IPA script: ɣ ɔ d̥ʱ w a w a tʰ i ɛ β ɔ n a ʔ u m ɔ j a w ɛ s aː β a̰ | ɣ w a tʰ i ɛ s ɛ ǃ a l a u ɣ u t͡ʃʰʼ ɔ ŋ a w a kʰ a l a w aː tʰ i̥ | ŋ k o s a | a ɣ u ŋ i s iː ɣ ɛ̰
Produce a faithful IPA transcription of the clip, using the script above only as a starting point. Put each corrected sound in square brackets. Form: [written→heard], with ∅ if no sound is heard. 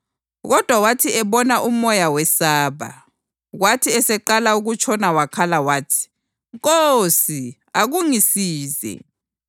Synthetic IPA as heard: ɣ ɔ d̥ʱ w a w a tʰ i ɛ β ɔ n a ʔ u m ɔ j a w ɛ s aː β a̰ | ɣ w a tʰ i ɛ s ɛ ǃ a l a u ɣ u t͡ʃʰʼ ɔ [ŋ→n] a w a kʰ a l a w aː tʰ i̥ | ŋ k o s [a→i] | a ɣ u ŋ i s iː [ɣ→z] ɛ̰